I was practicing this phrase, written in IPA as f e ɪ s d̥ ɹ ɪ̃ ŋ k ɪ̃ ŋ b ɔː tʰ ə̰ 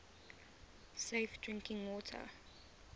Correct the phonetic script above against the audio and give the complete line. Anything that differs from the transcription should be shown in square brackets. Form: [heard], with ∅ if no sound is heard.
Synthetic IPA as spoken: [s] e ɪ [f] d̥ ɹ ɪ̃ ŋ k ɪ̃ ŋ [w] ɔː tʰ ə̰

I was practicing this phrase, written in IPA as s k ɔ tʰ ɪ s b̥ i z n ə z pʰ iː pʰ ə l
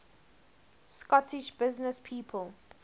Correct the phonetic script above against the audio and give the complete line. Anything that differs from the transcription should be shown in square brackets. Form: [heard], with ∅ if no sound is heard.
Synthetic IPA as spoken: s k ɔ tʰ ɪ [ʃ] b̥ [ɪ] z n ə [s] pʰ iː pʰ ə l

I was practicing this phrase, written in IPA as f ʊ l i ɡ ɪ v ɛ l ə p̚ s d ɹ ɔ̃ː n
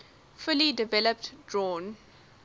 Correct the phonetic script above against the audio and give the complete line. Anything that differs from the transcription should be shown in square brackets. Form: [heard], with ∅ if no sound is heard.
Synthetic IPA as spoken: f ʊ l i [d] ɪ v ɛ l ə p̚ [t] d ɹ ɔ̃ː n

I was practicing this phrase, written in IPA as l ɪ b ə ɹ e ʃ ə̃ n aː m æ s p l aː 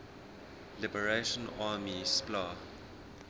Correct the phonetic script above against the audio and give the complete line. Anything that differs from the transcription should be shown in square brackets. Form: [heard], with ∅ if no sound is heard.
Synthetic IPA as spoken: l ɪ b ə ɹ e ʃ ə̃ n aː m [i] s p l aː

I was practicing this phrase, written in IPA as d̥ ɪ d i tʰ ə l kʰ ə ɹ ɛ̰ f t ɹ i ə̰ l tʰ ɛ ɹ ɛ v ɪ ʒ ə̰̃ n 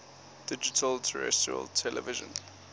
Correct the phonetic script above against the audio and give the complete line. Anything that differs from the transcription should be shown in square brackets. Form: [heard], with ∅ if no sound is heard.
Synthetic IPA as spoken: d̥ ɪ [d͡ʒ] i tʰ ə l [tʰ] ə ɹ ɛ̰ [s] t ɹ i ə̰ l tʰ ɛ [l] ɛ v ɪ ʒ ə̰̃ n

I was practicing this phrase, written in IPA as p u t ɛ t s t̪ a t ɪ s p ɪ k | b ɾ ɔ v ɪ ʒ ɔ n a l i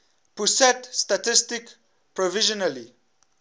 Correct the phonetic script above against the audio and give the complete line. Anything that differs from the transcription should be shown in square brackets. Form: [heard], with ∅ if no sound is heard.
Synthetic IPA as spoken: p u [s] ɛ t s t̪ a t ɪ s [t] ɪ k | [p] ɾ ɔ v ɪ ʒ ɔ n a l i

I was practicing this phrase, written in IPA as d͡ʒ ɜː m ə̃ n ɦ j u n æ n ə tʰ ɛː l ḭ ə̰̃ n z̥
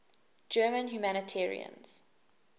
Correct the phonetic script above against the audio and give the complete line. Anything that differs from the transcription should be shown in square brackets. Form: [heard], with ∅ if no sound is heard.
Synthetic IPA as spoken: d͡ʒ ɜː m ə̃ n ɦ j u [m] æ n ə tʰ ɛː [ɹ] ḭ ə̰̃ n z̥

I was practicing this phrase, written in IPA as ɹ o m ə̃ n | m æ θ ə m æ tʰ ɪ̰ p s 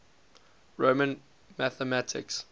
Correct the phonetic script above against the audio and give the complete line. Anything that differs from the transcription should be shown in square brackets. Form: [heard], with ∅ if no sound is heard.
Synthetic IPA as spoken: ɹ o m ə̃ n | m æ θ ə m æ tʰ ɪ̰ [k] s

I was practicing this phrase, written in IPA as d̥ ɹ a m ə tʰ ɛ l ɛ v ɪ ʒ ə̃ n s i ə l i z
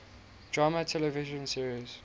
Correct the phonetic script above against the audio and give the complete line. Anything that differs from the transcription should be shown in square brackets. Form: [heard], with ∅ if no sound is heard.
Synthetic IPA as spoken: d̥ ɹ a m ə tʰ ɛ l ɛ v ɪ ʒ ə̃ n s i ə [ɹ] i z

